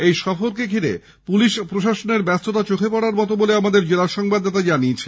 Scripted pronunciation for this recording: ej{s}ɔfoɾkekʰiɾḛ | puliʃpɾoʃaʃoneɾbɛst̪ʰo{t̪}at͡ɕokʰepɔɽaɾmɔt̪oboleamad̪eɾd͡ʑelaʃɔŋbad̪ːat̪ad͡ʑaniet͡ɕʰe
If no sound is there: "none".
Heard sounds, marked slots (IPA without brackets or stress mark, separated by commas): ʃ, t̪